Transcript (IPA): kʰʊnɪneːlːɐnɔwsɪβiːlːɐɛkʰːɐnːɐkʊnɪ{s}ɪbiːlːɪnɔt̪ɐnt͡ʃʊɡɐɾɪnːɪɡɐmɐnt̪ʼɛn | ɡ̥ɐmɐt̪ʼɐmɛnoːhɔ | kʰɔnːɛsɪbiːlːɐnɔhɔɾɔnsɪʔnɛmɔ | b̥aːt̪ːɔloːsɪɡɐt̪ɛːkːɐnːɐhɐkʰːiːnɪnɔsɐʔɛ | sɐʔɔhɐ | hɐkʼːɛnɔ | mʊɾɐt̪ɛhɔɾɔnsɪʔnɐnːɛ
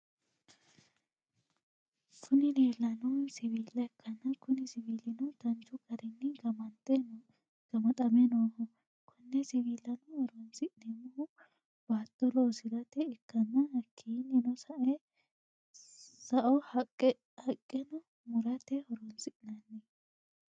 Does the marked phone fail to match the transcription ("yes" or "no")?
no